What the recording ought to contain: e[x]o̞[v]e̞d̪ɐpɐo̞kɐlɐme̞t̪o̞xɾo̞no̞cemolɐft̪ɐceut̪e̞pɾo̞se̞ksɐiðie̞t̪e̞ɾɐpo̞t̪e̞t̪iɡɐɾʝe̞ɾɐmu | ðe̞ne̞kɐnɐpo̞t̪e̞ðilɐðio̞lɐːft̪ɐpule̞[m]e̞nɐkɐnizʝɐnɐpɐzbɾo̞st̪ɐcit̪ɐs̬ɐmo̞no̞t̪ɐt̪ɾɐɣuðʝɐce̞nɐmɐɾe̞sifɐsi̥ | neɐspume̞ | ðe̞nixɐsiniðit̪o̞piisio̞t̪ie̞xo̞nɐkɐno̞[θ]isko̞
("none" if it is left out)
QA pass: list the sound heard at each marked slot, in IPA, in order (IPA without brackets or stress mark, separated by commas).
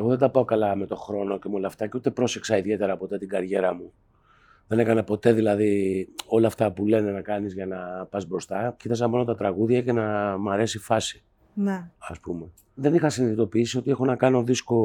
ɣ, ð, n, ð